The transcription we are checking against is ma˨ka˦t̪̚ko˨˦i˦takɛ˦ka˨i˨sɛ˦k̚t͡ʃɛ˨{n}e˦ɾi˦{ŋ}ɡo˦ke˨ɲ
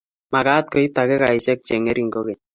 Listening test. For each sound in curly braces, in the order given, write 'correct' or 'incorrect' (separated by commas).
incorrect, correct